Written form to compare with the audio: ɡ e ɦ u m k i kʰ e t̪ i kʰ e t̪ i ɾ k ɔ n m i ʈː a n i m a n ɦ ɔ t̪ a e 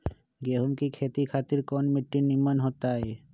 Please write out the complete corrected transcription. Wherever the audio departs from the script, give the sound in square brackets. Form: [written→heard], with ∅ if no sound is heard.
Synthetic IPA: ɡ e ɦ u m k i kʰ e t̪ i kʰ [e→a] t̪ i ɾ k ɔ n m i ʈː [a→i] n i m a n ɦ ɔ t̪ a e